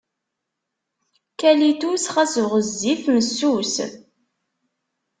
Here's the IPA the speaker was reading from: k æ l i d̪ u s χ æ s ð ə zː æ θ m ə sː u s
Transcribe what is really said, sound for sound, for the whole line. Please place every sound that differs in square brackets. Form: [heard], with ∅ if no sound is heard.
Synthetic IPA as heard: k æ l i [t̪] u s χ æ s [ʁ] ə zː [i] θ m ə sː u s